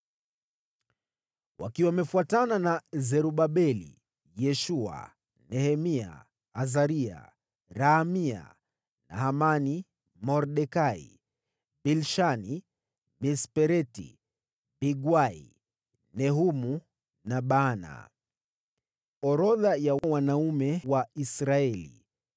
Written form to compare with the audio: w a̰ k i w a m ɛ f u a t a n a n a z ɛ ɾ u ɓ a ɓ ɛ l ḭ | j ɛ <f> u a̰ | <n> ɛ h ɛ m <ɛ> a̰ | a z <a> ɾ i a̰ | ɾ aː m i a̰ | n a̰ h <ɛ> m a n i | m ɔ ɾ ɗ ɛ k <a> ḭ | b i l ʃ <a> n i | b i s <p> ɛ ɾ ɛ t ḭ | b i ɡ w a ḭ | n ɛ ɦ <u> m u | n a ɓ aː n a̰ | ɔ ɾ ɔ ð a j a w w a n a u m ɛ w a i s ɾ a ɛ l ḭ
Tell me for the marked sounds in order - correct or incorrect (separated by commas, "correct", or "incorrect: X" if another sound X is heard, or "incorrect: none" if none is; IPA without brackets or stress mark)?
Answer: incorrect: ʃ, correct, incorrect: i, correct, incorrect: a, correct, correct, correct, correct